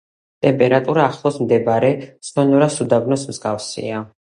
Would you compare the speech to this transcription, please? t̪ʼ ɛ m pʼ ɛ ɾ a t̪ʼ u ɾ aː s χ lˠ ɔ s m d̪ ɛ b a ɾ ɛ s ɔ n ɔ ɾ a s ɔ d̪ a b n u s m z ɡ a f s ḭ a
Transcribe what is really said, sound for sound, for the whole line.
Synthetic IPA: t̪ʼ ɛ m pʼ ɛ ɾ a t̪ʼ u ɾ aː χ lˠ ɔ s m d̪ ɛ b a ɾ ɛ s ɔ n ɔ ɾ a s u d̪ a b n ɔ s m z ɡ a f s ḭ a

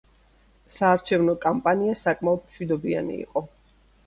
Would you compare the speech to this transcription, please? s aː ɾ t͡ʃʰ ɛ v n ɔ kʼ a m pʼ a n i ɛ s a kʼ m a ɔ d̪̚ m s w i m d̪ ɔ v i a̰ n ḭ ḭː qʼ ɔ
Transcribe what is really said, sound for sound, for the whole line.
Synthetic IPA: s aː ɾ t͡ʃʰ ɛ v n ɔ kʼ a m pʼ a n i a s a kʼ m a ɔ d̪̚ m ʃ w i d̪ ɔ b i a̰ n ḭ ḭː qʼ ɔ

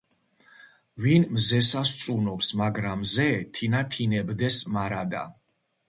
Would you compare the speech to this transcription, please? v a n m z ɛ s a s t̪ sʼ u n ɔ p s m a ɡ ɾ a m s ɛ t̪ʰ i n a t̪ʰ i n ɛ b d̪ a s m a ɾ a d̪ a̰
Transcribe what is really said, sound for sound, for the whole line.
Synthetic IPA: v i n m z ɛ s a s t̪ sʼ u n ɔ p s m a ɡ ɾ a m z ɛ t̪ʰ i n a t̪ʰ i n ɛ b d̪ ɛ s m a ɾ a d̪ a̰

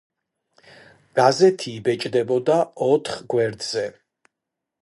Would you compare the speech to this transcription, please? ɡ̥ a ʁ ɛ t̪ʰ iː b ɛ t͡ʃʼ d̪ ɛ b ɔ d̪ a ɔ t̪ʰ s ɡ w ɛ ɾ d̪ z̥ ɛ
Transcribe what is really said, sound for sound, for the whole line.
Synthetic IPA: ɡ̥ a z ɛ t̪ʰ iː b ɛ t͡ʃʼ d̪ ɛ b ɔ d̪ a ɔ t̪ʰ χ ɡ w ɛ ɾ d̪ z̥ ɛ

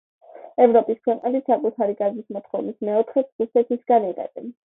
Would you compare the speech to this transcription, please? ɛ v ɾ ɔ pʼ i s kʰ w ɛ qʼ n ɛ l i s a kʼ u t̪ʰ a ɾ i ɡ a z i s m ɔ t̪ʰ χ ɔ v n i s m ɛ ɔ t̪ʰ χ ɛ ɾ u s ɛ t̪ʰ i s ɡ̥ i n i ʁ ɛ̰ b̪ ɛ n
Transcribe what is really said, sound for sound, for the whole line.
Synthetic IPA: ɛ v ɾ ɔ pʼ i s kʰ w ɛ qʼ n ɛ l i s a kʼ u t̪ʰ a ɾ i ɡ a z i s m ɔ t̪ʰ χ ɔ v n i s m ɛ ɔ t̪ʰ χ ɛ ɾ u s ɛ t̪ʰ i s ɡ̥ a n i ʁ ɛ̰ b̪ ɛ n

